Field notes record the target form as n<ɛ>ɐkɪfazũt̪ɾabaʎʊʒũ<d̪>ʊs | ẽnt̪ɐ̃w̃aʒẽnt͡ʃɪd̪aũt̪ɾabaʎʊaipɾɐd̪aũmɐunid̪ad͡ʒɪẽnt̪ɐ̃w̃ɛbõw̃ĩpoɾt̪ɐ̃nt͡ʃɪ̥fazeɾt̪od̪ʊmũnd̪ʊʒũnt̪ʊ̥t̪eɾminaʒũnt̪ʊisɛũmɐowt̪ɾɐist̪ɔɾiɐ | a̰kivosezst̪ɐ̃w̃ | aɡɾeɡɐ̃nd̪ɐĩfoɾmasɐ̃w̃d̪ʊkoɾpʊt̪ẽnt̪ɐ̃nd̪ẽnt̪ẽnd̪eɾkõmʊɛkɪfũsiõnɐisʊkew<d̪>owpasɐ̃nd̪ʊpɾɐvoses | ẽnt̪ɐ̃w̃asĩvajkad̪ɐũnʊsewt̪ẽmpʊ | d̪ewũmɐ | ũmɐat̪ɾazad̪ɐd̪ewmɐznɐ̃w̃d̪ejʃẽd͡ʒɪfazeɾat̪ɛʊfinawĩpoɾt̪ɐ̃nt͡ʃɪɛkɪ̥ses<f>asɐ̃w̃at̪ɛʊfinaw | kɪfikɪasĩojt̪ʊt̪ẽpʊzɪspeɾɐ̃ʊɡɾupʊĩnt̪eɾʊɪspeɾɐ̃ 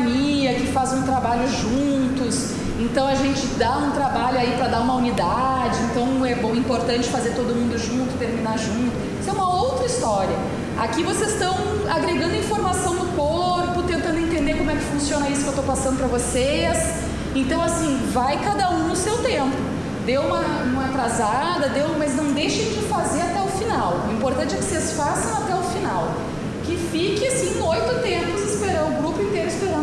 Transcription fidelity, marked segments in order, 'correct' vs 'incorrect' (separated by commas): incorrect, incorrect, incorrect, correct